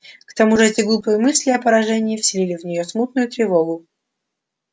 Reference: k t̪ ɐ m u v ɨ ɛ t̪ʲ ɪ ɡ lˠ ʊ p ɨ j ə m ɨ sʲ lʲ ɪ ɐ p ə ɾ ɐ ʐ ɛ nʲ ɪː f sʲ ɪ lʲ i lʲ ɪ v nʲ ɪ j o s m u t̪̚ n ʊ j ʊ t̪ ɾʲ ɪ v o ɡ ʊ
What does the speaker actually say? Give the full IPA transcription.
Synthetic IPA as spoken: k t̪ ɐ m u ʐ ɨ ɛ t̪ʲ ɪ ɡ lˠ u p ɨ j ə m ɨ sʲ lʲ ɪ ɐ p ə ɾ ɐ ʐ ɛ nʲ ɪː f sʲ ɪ lʲ i lʲ ɪ v nʲ ɪ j o s m u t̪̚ n ʊ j ʊ t̪ ɾʲ ɪ v o ɡ ʊ